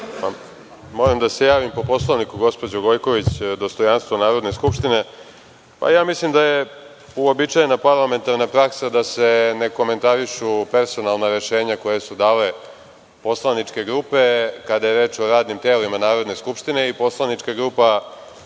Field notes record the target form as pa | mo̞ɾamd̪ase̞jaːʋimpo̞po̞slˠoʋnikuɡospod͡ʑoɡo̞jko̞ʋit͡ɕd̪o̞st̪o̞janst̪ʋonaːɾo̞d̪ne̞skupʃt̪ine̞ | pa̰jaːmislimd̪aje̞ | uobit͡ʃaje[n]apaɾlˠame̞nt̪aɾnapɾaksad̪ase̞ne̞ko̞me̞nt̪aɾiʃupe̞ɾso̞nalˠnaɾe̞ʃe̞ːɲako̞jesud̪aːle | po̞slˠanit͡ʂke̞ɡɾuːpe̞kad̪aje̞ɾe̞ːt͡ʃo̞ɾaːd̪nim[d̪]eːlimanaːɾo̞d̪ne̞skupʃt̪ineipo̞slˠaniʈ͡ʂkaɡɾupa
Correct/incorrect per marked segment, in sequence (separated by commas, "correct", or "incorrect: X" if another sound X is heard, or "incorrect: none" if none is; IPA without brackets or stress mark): correct, incorrect: t̪